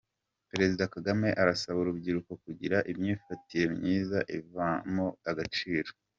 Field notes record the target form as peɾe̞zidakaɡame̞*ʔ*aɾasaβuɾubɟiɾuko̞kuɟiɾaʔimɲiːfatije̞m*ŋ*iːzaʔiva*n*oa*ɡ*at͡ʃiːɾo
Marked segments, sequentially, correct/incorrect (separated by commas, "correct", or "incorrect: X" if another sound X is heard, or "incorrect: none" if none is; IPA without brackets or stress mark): correct, incorrect: ɲ, incorrect: m, correct